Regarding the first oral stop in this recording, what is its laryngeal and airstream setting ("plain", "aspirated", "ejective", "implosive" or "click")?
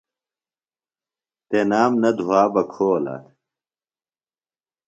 plain